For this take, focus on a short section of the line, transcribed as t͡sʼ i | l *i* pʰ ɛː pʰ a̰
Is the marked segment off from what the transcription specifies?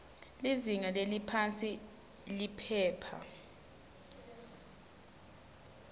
no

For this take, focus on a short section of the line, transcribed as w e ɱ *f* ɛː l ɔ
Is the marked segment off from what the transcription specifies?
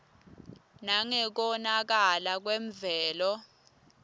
yes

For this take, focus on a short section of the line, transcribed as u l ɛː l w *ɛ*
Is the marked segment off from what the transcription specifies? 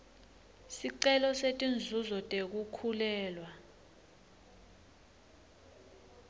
yes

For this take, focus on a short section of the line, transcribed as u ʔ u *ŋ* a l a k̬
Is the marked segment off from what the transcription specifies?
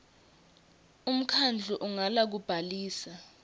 no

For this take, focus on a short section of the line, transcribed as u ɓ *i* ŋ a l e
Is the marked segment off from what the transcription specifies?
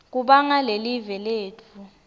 yes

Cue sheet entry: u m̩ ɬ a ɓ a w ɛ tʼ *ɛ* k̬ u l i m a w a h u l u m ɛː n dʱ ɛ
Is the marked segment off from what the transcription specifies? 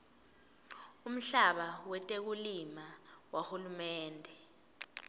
yes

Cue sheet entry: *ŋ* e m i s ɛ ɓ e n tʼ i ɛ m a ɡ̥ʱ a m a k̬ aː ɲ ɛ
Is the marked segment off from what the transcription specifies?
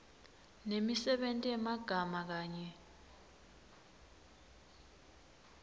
yes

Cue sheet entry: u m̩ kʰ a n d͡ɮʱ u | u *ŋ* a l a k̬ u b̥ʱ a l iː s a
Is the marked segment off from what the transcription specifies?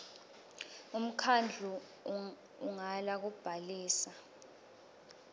no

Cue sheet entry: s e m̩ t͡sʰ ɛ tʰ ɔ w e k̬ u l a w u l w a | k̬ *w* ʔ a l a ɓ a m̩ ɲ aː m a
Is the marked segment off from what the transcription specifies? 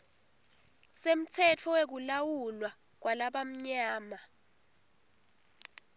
no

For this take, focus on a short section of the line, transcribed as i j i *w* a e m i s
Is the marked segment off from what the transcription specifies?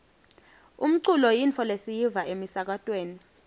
yes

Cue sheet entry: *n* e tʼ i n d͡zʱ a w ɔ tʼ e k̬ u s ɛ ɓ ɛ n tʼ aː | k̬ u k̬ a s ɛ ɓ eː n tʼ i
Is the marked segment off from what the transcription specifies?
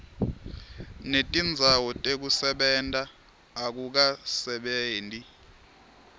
no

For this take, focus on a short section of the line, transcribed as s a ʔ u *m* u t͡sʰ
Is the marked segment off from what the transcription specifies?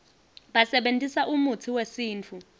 no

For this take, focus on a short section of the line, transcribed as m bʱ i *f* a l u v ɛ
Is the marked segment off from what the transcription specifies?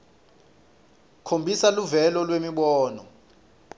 yes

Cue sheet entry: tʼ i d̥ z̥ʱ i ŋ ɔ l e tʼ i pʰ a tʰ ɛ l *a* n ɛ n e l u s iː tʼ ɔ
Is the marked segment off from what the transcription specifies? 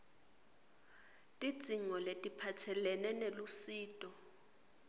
yes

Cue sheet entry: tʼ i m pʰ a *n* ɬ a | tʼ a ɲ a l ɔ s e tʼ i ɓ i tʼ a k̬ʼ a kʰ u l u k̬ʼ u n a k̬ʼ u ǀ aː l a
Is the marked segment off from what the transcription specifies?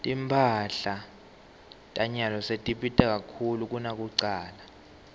yes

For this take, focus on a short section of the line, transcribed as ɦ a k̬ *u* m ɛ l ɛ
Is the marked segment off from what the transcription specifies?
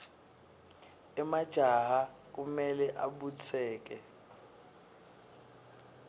no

